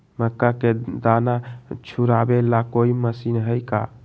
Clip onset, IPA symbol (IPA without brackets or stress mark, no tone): m